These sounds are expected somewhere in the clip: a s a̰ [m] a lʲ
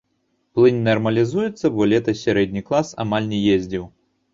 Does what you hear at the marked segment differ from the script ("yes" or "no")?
no